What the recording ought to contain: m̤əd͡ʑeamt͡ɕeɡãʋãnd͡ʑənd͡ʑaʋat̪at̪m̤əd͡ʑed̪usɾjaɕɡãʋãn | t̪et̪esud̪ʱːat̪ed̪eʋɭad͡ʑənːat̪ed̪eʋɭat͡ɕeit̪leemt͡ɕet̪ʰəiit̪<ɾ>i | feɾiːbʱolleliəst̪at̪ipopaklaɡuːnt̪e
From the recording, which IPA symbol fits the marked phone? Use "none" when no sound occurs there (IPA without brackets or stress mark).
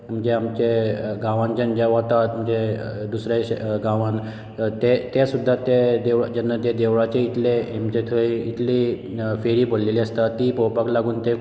l